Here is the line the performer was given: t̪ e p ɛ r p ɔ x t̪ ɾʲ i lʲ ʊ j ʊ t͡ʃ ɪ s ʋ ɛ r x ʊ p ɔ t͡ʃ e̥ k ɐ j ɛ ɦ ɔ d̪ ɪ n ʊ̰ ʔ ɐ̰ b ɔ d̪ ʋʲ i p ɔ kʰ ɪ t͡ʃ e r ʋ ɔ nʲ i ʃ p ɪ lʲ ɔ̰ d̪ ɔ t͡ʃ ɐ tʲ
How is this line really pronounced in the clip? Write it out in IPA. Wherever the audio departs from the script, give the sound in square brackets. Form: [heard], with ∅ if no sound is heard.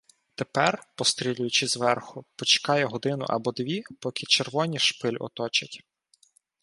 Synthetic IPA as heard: t̪ e p ɛ r p ɔ [s] t̪ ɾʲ i lʲ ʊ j ʊ t͡ʃ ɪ [z] ʋ ɛ r x ʊ p ɔ t͡ʃ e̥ k [ɑ] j ɛ ɦ ɔ d̪ ɪ n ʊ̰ ʔ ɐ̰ b ɔ d̪ ʋʲ i p ɔ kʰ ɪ t͡ʃ e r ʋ ɔ nʲ i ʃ p ɪ lʲ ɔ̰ [t̪] ɔ t͡ʃ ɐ tʲ